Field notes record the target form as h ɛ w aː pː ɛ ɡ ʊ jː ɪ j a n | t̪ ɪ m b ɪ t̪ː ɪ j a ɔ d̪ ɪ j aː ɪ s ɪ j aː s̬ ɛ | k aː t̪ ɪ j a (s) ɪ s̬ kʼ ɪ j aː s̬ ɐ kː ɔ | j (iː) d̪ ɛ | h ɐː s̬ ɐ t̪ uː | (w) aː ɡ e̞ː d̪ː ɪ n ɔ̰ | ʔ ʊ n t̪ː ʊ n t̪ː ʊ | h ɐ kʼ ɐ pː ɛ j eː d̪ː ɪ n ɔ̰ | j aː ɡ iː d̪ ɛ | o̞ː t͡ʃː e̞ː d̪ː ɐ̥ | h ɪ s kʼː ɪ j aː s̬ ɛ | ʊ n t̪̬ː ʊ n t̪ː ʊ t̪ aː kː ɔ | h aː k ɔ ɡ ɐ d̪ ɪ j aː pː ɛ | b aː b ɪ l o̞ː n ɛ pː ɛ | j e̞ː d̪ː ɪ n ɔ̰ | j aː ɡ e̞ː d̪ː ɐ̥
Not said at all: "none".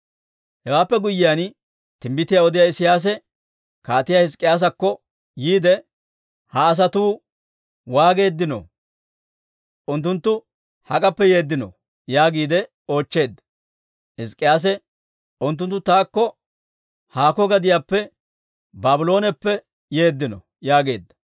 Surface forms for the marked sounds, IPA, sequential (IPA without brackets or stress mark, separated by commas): h, iː, w